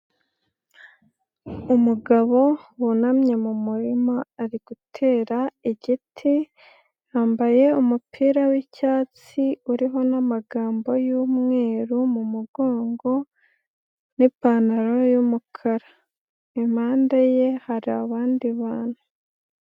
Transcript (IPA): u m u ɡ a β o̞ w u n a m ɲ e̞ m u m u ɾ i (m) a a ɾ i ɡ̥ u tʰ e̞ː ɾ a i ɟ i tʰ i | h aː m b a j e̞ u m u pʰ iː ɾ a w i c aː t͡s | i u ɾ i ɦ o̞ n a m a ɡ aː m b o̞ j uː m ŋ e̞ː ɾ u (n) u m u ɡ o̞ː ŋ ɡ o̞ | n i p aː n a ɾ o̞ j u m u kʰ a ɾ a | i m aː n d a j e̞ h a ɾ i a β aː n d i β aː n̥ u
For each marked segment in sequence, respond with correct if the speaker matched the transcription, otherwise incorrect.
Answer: correct, incorrect: m

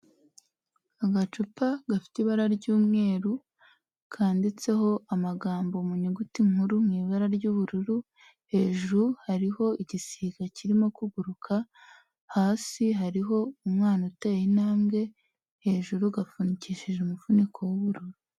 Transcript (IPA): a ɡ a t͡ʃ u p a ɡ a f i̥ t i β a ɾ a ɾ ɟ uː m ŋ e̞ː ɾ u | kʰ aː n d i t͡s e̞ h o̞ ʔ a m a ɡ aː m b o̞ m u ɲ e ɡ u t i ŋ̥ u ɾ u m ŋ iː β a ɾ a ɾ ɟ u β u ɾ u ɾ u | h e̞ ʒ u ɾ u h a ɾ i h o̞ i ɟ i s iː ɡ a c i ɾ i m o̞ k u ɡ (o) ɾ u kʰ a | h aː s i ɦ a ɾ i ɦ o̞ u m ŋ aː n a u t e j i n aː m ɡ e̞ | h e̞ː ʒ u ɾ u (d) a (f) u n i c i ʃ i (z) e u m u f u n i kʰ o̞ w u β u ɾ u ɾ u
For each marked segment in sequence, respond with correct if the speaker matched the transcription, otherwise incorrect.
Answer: incorrect: u, incorrect: ɡ, correct, incorrect: ʒ

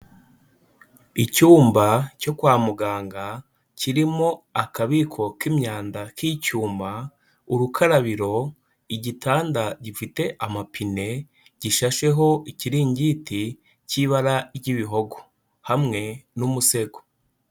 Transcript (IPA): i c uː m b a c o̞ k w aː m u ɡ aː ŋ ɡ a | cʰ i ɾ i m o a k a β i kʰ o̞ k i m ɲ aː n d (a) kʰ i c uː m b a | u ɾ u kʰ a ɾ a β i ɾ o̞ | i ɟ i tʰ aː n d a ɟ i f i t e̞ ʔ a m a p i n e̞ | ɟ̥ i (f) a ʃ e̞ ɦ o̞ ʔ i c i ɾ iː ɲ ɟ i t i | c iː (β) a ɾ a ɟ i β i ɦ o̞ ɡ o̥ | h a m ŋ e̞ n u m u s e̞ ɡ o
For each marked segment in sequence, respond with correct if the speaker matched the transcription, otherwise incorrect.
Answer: correct, incorrect: ʃ, correct

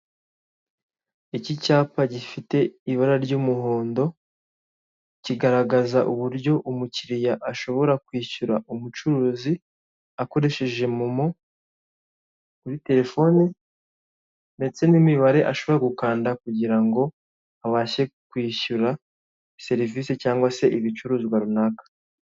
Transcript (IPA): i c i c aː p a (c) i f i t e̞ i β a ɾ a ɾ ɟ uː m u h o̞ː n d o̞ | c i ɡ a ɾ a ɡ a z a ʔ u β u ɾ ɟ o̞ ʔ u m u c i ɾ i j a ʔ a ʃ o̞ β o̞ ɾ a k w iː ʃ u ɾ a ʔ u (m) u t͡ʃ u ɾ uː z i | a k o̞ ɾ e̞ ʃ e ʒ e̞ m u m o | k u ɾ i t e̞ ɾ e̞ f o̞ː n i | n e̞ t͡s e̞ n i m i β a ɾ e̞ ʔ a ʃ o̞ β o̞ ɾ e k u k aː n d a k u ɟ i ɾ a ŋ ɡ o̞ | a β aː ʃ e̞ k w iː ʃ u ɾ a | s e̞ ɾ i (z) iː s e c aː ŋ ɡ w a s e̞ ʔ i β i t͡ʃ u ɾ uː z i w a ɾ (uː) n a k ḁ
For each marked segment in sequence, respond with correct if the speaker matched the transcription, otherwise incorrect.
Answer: incorrect: ɟ, correct, incorrect: v, incorrect: u

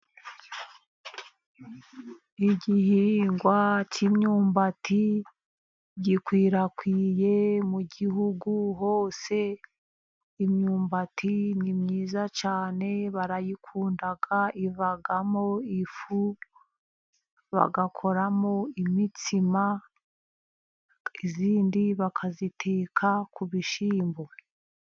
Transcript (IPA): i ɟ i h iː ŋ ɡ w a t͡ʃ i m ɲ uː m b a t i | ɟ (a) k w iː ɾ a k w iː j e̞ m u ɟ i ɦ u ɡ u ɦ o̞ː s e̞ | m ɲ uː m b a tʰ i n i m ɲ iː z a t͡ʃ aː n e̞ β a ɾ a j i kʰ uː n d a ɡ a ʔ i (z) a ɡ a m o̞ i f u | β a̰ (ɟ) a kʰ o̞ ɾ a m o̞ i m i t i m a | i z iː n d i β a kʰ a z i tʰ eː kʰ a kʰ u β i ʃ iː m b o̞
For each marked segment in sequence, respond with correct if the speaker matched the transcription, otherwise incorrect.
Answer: incorrect: i, incorrect: v, incorrect: ɡ

